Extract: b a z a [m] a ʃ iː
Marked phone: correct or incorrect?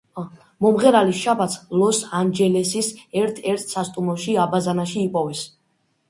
incorrect: n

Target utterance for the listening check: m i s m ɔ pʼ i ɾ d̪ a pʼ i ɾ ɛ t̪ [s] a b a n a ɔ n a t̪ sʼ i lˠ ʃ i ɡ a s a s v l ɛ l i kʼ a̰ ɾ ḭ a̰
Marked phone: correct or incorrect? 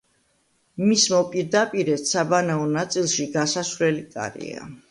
correct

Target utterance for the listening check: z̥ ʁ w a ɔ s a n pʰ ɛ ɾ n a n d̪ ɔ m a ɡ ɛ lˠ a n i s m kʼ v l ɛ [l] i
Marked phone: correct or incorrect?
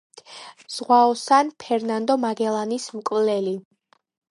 correct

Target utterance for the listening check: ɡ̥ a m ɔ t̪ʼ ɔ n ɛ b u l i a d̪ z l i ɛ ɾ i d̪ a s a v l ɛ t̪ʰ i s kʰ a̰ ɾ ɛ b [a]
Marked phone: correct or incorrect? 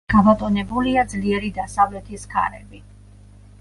incorrect: i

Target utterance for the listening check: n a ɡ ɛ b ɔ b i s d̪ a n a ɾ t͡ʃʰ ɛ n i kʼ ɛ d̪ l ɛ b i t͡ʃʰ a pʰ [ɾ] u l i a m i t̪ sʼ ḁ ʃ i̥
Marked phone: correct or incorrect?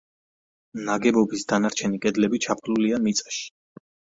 incorrect: l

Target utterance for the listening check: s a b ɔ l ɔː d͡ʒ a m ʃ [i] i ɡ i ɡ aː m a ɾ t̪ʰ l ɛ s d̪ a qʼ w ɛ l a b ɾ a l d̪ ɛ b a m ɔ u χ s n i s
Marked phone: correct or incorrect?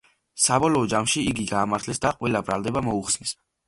correct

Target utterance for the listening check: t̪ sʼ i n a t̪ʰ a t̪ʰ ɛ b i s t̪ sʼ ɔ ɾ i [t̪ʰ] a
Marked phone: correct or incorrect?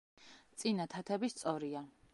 incorrect: none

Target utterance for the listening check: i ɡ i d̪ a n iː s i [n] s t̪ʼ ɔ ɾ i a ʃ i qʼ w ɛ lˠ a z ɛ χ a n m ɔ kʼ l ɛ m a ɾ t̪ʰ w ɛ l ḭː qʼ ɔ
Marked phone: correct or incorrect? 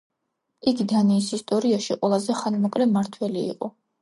incorrect: none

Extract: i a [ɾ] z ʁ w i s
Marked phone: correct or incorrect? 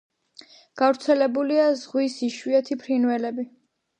incorrect: none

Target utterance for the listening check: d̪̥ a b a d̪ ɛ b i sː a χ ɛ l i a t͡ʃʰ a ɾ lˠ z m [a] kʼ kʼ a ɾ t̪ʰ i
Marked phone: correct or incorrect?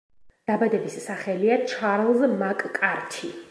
correct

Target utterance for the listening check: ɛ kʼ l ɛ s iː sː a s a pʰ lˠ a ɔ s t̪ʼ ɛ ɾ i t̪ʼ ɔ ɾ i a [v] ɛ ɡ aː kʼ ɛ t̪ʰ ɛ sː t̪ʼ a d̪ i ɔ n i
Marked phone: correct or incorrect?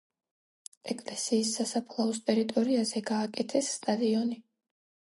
incorrect: z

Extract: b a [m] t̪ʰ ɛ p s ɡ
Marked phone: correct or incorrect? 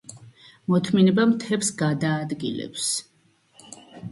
correct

